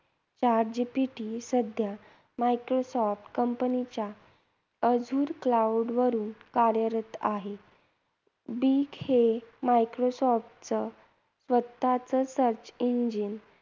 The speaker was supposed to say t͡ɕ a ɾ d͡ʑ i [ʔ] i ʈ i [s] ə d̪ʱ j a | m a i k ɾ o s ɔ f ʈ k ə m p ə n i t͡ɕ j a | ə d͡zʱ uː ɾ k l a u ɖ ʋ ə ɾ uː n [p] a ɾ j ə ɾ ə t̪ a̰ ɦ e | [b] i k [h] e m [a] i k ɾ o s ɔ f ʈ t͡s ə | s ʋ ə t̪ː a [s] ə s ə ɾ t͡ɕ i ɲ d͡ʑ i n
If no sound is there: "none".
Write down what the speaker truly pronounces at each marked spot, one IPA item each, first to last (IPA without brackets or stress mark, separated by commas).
p, s, k, b, h, a, t͡s